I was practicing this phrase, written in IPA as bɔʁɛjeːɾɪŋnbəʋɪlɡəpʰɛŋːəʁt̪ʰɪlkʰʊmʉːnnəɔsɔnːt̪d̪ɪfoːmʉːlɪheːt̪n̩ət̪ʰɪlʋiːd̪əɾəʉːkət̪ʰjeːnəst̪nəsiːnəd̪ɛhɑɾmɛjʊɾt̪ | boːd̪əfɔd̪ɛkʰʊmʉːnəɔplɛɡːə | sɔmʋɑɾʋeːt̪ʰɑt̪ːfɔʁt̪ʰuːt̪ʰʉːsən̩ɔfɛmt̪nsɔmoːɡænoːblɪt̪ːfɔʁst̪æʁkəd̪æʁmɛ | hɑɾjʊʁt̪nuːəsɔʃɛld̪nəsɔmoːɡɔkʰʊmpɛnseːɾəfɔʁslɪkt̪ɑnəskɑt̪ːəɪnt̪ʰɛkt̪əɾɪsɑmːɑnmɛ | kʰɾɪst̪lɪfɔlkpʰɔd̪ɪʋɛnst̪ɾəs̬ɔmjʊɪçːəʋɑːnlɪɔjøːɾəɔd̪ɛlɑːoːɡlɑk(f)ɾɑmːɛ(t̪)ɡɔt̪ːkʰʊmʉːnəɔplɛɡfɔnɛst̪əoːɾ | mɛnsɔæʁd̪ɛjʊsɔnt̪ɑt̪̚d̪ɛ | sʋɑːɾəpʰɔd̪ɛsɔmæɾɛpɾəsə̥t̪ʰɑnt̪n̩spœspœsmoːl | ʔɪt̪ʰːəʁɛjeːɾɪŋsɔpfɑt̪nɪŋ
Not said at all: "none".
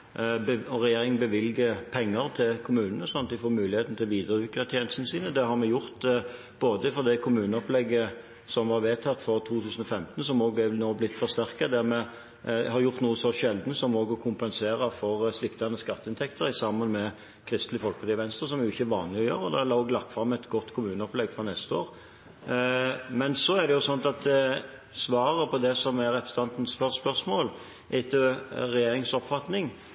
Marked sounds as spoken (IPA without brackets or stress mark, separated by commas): f, t̪